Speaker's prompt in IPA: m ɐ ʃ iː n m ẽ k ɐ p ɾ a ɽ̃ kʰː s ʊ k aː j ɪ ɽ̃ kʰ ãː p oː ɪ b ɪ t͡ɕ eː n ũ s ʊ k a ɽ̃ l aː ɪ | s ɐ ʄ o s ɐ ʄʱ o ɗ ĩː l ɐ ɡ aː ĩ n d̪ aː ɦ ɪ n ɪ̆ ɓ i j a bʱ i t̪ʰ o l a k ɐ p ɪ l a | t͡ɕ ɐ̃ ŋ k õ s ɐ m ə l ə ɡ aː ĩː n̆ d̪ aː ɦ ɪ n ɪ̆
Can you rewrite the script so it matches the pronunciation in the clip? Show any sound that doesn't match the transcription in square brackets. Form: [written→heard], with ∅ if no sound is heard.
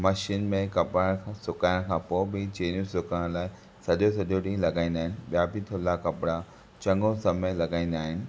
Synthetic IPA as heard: m ɐ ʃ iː n m ẽ k ɐ p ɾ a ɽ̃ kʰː s ʊ k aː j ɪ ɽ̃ kʰ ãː p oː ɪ b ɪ t͡ɕ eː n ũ s ʊ k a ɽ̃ l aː ɪ | s ɐ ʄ o s ɐ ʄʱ o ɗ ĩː l ɐ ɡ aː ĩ n d̪ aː ɦ ɪ n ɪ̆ ɓ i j a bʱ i t̪ʰ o l a k ɐ p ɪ [l→ɽ] a | t͡ɕ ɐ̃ ŋ [k→ɡ] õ s ɐ m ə l [ə→ɐ] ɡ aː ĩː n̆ d̪ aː ɦ ɪ n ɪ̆